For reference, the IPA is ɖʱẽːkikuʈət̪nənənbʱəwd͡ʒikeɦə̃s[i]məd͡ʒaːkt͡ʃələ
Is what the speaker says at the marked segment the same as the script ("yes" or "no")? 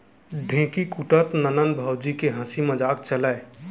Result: yes